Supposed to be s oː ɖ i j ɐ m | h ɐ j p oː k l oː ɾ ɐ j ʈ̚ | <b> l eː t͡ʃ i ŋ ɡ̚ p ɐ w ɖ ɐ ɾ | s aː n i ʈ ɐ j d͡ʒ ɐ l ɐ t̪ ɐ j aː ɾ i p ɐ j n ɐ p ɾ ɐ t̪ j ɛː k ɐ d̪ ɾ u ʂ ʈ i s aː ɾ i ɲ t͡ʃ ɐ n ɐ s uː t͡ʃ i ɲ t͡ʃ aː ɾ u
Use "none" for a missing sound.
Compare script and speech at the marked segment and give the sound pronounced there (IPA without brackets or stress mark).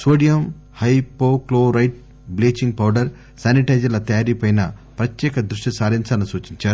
b